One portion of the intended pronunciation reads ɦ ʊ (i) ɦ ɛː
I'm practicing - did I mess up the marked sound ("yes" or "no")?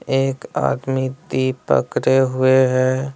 yes